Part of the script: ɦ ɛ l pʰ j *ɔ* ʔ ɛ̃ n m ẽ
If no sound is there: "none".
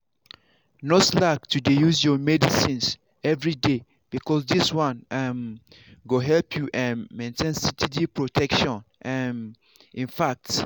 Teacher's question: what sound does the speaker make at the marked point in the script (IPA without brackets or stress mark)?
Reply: u